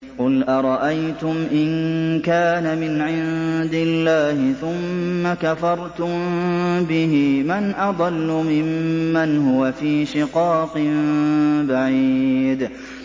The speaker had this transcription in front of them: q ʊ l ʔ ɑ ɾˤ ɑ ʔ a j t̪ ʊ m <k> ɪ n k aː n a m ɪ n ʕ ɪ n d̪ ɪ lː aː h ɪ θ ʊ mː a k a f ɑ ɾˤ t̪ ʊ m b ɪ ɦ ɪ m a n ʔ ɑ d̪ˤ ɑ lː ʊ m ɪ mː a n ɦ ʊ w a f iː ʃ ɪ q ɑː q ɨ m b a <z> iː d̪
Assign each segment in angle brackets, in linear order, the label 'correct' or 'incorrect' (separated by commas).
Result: incorrect, incorrect